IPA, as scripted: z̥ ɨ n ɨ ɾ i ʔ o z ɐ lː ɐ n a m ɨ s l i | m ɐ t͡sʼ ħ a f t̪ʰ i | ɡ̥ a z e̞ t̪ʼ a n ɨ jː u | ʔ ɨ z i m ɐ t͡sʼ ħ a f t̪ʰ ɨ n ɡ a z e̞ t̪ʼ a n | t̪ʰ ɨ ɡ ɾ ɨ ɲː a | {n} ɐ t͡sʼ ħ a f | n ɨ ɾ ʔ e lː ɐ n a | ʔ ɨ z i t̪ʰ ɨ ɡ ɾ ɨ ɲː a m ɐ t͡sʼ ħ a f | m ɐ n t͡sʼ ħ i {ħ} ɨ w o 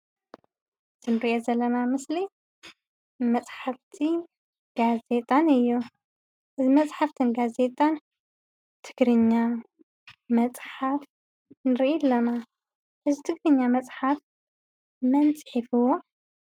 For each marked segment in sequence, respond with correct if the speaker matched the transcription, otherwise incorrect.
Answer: incorrect: m, incorrect: f

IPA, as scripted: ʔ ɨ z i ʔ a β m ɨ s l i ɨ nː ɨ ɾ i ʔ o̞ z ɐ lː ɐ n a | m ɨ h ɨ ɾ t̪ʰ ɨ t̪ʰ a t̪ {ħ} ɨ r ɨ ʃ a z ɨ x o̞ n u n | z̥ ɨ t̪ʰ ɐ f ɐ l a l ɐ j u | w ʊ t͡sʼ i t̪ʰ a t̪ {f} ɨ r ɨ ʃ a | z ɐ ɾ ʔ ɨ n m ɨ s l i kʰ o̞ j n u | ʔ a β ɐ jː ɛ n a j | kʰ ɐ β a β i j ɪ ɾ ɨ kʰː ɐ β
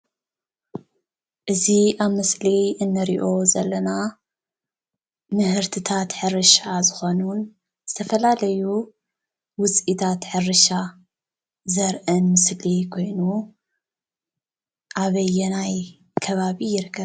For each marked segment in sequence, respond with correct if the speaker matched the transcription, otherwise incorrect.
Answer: correct, incorrect: ħ

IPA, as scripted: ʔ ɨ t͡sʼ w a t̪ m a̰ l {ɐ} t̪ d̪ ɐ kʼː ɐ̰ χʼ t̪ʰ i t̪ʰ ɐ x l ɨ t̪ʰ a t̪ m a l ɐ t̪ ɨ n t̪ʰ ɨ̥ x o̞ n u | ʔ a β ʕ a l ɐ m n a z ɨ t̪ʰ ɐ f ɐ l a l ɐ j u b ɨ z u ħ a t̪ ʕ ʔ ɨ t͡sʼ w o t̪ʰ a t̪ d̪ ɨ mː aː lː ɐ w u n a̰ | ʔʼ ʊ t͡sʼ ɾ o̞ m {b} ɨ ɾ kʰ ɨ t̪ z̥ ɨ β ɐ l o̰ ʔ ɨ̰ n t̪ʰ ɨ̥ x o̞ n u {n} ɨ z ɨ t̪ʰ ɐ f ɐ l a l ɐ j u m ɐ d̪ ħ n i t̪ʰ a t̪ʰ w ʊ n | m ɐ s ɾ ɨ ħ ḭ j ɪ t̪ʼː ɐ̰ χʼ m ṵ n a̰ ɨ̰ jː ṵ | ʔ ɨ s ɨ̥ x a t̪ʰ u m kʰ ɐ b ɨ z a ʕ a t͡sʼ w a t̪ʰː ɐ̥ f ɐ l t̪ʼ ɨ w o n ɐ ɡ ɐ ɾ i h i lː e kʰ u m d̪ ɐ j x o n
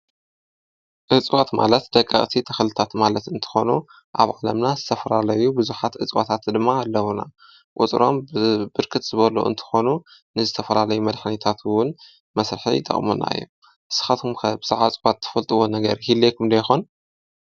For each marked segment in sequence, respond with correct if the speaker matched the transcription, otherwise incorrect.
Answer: correct, correct, correct

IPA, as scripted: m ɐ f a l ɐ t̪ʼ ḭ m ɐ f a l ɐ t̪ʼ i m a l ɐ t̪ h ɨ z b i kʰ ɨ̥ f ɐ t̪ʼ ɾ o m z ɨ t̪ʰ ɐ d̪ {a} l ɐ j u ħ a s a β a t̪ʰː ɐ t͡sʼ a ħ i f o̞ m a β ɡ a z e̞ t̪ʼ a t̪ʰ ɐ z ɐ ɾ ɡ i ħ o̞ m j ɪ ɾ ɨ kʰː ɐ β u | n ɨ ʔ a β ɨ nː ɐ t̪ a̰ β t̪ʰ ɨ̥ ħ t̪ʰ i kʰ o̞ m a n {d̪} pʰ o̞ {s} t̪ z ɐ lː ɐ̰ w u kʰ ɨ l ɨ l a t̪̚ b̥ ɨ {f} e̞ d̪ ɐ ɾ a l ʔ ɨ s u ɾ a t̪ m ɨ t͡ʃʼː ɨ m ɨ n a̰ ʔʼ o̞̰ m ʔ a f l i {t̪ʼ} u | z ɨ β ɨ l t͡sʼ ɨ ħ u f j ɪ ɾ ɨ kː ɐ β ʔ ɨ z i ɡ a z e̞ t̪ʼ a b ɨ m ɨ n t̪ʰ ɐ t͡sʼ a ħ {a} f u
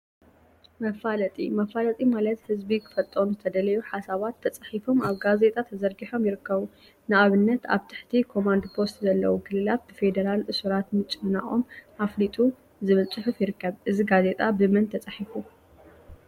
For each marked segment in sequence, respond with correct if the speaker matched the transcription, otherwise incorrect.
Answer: incorrect: ɐ, correct, correct, correct, correct, incorrect: i

